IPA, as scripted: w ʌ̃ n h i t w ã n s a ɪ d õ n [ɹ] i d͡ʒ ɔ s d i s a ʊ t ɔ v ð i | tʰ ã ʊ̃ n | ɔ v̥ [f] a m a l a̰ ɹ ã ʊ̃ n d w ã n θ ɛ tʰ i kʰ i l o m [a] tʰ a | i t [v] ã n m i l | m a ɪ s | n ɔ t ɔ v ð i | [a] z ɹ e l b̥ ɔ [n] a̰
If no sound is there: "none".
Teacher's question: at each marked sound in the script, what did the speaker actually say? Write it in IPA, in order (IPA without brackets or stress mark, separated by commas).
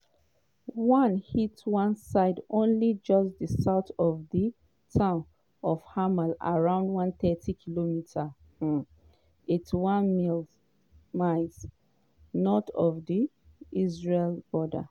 l, h, i, w, i, d